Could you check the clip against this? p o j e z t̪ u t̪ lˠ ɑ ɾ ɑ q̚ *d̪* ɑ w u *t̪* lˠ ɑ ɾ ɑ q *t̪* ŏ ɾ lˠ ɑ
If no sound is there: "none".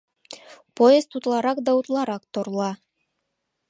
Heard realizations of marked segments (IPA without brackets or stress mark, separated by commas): d̪, t̪, t̪